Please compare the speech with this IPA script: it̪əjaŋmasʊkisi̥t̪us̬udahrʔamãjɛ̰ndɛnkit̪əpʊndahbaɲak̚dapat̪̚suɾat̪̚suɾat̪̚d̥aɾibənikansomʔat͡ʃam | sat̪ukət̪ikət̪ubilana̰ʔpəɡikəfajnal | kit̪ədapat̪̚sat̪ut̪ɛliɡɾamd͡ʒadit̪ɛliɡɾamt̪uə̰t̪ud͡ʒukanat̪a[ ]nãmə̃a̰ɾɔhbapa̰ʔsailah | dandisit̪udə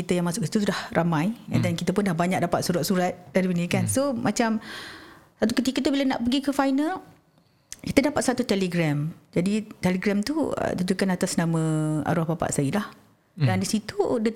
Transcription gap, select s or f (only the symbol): s